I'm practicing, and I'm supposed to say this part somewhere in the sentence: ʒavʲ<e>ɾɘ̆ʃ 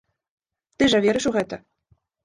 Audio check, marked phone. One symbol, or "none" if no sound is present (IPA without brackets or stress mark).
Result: e